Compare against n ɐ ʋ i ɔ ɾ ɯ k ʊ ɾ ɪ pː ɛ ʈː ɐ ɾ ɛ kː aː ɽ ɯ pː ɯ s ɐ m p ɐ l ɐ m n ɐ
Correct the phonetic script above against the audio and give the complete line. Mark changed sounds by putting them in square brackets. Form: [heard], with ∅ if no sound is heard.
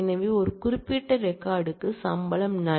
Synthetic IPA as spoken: n ɐ ʋ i ɔ ɾ ɯ k ʊ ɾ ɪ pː [i] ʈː ɐ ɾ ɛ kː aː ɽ ɯ [kː] ɯ s ɐ m [b] ɐ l ɐ m n ɐ